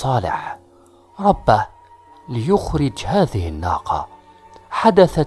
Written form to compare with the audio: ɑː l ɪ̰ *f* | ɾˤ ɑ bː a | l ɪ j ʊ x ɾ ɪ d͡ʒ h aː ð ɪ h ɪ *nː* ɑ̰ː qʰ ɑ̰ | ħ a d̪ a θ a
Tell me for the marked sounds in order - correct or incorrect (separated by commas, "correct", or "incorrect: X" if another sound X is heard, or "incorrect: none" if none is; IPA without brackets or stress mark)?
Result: incorrect: ħ, correct